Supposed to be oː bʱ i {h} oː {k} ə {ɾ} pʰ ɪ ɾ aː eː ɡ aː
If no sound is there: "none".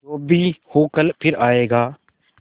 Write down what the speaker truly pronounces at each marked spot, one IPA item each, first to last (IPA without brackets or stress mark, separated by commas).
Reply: h, k, l